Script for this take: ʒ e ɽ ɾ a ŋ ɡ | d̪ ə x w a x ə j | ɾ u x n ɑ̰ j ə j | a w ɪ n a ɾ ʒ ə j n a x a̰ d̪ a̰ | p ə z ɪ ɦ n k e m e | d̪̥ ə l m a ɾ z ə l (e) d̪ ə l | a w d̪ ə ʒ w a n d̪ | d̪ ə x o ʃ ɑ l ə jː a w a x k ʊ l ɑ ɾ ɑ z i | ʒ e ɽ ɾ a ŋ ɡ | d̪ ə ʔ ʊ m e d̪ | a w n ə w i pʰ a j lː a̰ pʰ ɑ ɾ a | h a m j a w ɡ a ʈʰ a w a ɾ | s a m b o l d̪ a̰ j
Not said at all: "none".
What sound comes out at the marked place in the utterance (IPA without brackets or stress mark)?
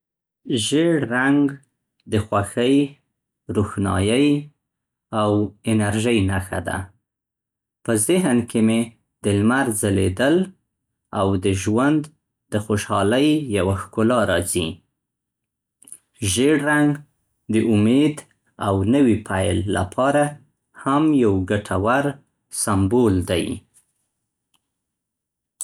e